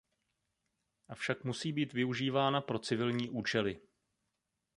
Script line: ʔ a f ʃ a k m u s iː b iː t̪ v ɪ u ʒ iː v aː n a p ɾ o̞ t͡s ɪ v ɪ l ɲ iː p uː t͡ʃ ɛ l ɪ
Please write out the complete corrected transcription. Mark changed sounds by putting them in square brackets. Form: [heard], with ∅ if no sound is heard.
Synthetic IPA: ʔ a f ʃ a k m u s iː b iː t̪ v ɪ u ʒ iː v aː n a p ɾ o̞ t͡s ɪ v ɪ l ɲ iː [ʔ] uː t͡ʃ ɛ l ɪ

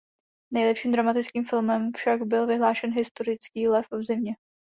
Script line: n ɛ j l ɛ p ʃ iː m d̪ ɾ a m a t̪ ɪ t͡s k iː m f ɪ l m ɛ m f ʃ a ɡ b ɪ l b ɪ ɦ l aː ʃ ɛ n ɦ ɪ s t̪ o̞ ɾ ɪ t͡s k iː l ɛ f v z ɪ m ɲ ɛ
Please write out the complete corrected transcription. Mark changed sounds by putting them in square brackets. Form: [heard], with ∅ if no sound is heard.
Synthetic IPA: n ɛ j l ɛ p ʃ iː m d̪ ɾ a m a t̪ ɪ t͡s k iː m f ɪ l m ɛ m f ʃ a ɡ b ɪ l [v] ɪ ɦ l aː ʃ ɛ n ɦ ɪ s t̪ o̞ ɾ ɪ t͡s k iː l ɛ f v z ɪ m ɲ ɛ

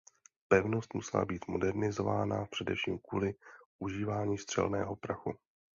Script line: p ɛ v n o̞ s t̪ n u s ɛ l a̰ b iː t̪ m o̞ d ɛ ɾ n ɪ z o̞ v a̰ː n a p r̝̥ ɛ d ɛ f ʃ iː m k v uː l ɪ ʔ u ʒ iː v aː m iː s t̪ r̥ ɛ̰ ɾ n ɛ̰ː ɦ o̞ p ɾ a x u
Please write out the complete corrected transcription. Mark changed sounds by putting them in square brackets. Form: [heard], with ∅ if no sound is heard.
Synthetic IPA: p ɛ v n o̞ s t̪ [m] u s ɛ l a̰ b iː t̪ m o̞ d ɛ ɾ n ɪ z o̞ v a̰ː n a p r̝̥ ɛ d ɛ f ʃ iː m k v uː l ɪ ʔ u ʒ iː v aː [ɲ] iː s t̪ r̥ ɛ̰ [l] n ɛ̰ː ɦ o̞ p ɾ a x u

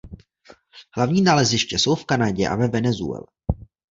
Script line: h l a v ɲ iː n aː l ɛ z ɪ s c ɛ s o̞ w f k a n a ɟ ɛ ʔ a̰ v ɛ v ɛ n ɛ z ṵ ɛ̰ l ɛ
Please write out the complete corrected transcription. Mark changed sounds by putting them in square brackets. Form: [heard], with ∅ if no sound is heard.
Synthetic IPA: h l a v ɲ iː n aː l ɛ z ɪ [ʃ] c ɛ s o̞ w f k a n a ɟ ɛ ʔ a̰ v ɛ v ɛ n ɛ z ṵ ɛ̰ l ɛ

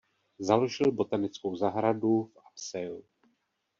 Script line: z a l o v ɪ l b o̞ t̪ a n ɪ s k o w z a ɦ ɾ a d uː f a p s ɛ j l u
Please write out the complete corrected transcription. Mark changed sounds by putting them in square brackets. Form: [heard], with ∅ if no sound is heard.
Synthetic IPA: z a l o [ʒ] ɪ l b o̞ t̪ a n ɪ [t͡s] k o w z a ɦ ɾ a d [u] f a p s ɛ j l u

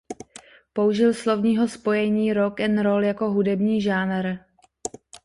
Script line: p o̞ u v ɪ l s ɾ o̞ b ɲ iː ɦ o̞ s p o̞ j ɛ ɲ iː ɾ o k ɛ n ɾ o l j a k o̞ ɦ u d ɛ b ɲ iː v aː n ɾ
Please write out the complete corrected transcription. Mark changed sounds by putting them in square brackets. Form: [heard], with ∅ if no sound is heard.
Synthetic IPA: p o̞ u [ʒ] ɪ l s [l] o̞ [v] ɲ iː ɦ o̞ s p o̞ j ɛ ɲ iː ɾ o k ɛ n ɾ o l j a k o̞ ɦ u d ɛ b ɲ iː [ʒ] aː n ɾ

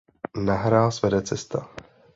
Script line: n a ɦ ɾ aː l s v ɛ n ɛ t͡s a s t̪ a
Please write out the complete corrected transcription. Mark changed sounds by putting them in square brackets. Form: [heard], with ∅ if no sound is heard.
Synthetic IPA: n a ɦ ɾ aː l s v ɛ [d] ɛ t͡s [ɛ] s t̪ a

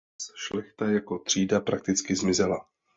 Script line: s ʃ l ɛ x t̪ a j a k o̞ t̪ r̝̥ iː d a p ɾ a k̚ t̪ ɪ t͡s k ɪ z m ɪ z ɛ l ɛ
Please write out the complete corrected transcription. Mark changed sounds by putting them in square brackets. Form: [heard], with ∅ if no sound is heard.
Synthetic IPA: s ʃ l ɛ x t̪ a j a k o̞ t̪ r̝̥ iː d a p ɾ a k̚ t̪ ɪ t͡s k ɪ z m ɪ z ɛ l [a]

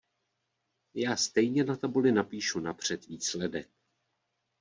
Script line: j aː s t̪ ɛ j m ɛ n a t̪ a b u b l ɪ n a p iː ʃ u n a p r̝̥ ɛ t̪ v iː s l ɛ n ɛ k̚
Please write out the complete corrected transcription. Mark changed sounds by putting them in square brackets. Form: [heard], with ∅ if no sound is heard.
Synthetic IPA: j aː s t̪ ɛ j [ɲ] ɛ n a t̪ a b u [∅] l ɪ n a p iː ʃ u n a p r̝̥ ɛ t̪ v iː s l ɛ [d] ɛ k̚

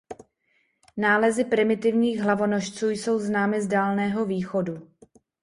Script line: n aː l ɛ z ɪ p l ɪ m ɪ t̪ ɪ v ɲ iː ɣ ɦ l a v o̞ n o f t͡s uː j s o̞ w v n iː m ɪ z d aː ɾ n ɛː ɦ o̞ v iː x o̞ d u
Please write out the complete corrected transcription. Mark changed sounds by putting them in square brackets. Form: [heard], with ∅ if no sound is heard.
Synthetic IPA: n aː l ɛ z ɪ p [ɾ] ɪ m ɪ t̪ ɪ v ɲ iː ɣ ɦ l a v o̞ n o [ʃ] t͡s uː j s o̞ w [z] n [aː] m ɪ z d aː [l] n ɛː ɦ o̞ v iː x o̞ d u

